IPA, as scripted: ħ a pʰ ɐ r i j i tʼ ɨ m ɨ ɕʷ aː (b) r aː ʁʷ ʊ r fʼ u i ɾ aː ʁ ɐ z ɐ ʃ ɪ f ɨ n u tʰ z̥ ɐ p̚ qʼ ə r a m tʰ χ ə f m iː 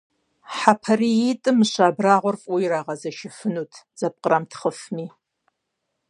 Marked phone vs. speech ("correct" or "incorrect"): correct